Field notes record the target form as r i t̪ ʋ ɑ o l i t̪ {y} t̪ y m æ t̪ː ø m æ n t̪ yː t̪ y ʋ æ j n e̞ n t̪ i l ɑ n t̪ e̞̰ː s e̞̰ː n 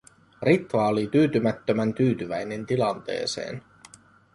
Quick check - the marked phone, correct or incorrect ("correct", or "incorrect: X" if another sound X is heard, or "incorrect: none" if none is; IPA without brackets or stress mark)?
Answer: incorrect: yː